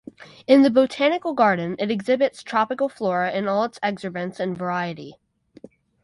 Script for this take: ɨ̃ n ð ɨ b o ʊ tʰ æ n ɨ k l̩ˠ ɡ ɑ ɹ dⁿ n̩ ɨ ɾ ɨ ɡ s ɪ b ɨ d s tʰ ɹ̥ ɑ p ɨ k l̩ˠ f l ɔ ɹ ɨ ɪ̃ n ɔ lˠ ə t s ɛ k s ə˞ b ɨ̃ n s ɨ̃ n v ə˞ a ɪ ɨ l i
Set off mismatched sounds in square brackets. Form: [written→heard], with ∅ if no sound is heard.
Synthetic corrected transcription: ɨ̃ n ð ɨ b o ʊ tʰ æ n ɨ k l̩ˠ ɡ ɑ ɹ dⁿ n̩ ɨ ɾ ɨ ɡ [s→z] ɪ b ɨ [d→t] s tʰ ɹ̥ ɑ p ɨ k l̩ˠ f l ɔ ɹ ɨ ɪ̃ n ɔ lˠ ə t s ɛ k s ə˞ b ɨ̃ n s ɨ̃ n v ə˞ a ɪ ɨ [l→ɾ] i

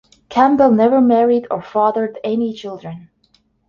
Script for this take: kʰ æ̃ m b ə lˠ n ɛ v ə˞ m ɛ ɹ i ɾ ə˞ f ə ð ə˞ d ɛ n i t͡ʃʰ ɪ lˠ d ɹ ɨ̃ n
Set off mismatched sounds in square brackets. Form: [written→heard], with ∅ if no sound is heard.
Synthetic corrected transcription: kʰ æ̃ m b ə lˠ n ɛ v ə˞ m ɛ ɹ i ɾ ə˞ f [ə→ɑ] ð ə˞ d ɛ n i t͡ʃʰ ɪ lˠ d ɹ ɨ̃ n

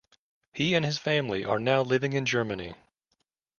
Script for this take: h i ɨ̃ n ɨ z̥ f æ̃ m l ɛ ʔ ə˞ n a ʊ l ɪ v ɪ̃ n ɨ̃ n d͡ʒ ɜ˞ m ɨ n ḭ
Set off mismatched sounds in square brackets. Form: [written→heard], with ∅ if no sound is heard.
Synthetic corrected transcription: h i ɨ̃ n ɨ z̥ f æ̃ m l [ɛ→i] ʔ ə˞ n a ʊ l ɪ v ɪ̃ [n→ŋ] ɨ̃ n d͡ʒ ɜ˞ m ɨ n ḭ

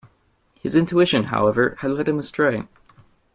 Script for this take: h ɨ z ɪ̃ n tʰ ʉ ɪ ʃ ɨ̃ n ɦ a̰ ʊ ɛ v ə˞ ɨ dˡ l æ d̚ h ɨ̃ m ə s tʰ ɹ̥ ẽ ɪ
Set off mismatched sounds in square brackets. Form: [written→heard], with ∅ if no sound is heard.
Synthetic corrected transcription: h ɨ z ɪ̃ n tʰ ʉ ɪ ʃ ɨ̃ n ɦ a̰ ʊ ɛ v ə˞ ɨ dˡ l [æ→ɛ] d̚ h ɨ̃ m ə s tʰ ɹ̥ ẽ ɪ

